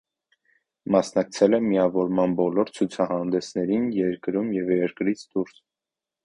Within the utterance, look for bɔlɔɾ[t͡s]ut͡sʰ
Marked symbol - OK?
no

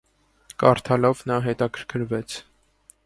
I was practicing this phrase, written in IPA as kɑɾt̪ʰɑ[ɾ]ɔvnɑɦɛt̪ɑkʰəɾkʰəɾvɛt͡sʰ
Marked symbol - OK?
no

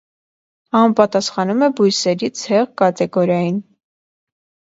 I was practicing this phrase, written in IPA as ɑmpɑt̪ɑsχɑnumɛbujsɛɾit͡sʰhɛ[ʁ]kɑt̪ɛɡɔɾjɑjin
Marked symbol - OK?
yes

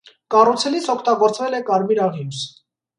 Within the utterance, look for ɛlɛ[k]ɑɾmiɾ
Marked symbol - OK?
yes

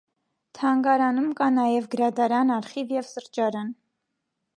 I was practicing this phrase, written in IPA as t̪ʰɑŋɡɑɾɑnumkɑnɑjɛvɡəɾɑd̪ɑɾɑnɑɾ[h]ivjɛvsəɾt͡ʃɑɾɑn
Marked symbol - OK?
no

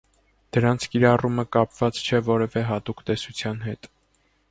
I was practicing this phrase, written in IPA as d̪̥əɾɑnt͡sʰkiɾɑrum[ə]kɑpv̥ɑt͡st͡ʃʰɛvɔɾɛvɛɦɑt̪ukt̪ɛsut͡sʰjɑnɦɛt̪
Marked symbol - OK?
yes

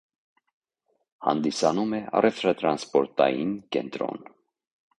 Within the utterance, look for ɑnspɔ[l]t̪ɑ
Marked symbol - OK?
no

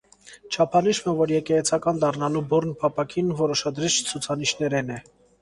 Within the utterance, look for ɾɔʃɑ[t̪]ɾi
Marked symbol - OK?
no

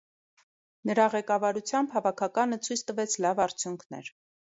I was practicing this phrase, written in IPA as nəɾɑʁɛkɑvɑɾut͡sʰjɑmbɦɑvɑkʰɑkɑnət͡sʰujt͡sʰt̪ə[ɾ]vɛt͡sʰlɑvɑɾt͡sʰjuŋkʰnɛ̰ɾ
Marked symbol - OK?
no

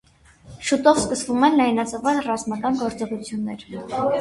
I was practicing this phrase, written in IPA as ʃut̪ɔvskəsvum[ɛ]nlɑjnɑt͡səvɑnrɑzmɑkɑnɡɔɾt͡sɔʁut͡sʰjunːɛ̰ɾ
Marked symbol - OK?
yes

